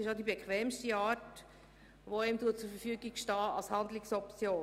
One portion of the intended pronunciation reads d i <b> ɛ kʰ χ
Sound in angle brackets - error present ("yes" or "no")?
no